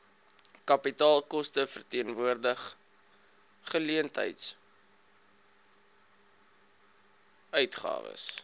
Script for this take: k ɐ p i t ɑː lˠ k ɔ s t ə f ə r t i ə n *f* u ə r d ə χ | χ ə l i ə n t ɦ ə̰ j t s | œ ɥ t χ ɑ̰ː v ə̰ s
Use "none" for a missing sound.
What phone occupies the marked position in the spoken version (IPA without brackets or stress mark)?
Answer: v